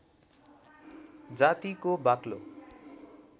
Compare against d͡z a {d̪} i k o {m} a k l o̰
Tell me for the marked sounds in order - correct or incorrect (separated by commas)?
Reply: incorrect, incorrect